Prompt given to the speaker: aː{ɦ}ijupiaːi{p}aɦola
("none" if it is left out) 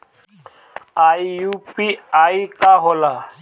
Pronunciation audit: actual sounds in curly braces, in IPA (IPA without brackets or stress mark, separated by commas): none, k